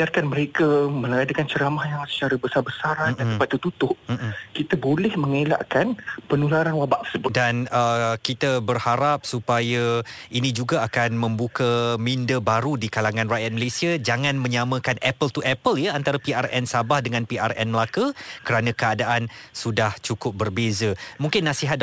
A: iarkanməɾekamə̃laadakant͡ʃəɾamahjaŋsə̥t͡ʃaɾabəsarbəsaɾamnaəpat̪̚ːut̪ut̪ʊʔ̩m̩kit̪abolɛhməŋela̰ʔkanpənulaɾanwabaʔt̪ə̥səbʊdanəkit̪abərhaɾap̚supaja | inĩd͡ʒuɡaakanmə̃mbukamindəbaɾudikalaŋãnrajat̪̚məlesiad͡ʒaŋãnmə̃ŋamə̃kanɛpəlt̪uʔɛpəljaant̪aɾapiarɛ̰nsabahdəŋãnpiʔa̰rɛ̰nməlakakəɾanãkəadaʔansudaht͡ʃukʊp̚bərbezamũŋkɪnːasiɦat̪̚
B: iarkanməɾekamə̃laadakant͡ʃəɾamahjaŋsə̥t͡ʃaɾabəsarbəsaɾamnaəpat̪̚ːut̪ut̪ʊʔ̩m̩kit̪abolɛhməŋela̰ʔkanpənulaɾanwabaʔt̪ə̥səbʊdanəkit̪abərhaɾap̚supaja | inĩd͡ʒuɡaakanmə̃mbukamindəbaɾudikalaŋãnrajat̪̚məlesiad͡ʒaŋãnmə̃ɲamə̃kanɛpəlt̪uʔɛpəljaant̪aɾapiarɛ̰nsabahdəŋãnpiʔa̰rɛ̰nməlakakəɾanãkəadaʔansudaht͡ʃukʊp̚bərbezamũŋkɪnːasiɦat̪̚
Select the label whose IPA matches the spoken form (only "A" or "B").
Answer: B